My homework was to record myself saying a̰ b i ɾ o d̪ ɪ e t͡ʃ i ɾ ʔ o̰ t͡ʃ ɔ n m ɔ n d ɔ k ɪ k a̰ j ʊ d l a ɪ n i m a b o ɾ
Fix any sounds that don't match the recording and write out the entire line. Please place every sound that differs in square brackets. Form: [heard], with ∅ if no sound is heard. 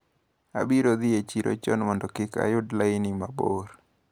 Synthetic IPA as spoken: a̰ b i ɾ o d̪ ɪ e t͡ʃ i ɾ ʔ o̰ t͡ʃ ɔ n m ɔ n d ɔ k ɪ k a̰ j ʊ d l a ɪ n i m a b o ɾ